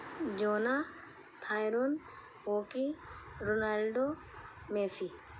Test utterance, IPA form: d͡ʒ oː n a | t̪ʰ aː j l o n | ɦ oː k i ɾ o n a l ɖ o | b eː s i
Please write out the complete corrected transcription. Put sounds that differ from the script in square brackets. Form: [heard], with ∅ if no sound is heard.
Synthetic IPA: d͡ʒ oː n a | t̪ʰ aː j [ɾ] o n | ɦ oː k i ɾ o n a l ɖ o | [m] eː s i